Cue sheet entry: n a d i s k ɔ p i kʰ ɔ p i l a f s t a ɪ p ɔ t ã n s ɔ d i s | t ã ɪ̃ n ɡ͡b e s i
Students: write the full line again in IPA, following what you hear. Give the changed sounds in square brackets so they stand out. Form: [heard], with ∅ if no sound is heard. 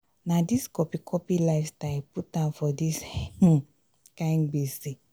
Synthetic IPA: n a d i s k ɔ p i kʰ ɔ p i l a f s t a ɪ p [u] t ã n [f] ɔ d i s | [k] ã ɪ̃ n ɡ͡b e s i